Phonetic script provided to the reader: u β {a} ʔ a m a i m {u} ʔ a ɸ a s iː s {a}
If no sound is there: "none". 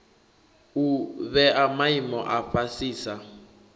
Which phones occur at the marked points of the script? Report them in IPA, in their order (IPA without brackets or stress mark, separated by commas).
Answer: ɛ, ɔ, a